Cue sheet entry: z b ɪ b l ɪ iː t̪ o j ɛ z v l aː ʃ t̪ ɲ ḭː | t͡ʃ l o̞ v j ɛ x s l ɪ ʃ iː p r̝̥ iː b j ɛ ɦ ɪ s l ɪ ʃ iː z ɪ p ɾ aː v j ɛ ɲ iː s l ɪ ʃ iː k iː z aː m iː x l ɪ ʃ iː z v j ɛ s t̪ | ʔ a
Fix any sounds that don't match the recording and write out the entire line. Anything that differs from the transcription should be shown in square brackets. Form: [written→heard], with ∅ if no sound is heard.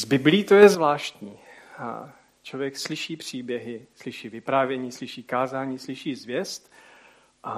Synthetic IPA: z b ɪ b l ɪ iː t̪ o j ɛ z v l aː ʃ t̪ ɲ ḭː | t͡ʃ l o̞ v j ɛ [x→k] s l ɪ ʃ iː p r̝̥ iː b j ɛ ɦ ɪ s l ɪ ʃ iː [z→v] ɪ p ɾ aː v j ɛ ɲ iː s l ɪ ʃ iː k [iː→aː] z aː [m→ɲ] iː [x→s] l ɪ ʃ iː z v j ɛ s t̪ | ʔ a